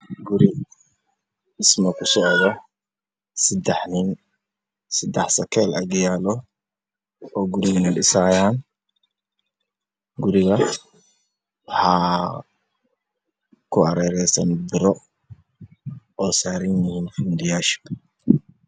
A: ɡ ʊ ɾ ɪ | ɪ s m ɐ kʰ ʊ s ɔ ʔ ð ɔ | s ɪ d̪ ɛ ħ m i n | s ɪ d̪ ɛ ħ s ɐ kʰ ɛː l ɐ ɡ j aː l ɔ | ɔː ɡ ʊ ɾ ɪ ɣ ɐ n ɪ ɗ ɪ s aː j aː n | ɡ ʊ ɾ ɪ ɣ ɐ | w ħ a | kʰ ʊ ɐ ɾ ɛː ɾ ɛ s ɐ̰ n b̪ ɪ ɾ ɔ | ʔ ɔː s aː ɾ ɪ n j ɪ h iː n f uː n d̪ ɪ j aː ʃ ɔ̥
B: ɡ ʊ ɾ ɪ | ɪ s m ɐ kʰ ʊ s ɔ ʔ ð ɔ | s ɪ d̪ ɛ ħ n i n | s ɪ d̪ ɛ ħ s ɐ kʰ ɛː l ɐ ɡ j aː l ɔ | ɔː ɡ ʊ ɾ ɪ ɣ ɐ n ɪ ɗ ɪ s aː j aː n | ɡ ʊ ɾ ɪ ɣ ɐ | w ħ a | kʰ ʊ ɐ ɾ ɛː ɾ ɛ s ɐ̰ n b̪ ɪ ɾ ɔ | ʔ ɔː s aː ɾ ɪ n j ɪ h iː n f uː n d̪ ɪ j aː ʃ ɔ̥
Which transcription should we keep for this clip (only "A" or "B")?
B